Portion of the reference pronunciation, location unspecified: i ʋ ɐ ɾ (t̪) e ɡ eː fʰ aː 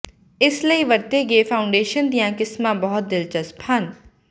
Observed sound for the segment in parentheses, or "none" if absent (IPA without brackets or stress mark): t̪